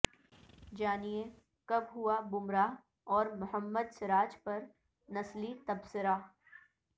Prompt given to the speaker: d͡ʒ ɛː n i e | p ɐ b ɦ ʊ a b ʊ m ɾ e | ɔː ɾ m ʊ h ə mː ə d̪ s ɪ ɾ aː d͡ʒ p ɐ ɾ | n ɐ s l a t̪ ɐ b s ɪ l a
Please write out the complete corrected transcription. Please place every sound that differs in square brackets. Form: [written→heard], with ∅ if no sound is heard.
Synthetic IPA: d͡ʒ [ɛː→aː] n i e | [p→k] ɐ b ɦ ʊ a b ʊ m ɾ [e→a] | ɔː ɾ m ʊ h ə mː ə d̪ s ɪ ɾ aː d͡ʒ p ɐ ɾ | n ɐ s l [a→i] t̪ ɐ b s ɪ [l→ɾ] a